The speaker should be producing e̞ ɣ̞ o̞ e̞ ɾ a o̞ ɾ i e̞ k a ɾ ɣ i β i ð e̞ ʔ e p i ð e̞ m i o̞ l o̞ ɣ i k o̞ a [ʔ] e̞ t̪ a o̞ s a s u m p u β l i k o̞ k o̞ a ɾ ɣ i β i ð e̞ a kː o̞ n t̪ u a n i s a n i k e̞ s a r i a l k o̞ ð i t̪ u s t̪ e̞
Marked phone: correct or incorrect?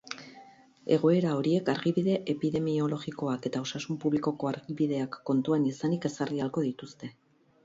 incorrect